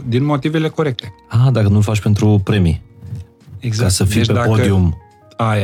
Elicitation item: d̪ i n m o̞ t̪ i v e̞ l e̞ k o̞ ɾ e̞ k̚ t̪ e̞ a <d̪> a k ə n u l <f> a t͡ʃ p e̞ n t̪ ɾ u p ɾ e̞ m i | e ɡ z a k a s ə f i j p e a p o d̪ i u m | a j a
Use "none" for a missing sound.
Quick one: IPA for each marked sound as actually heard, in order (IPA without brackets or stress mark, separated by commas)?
d̪, f